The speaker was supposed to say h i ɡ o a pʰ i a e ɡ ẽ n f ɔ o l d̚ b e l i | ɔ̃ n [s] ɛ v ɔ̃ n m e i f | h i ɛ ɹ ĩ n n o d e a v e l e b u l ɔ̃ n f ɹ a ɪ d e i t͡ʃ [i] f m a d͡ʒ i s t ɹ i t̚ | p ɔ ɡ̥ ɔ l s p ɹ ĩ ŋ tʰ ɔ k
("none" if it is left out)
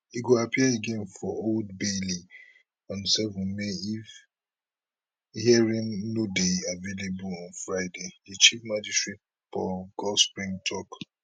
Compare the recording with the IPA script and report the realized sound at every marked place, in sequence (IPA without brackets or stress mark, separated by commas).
s, i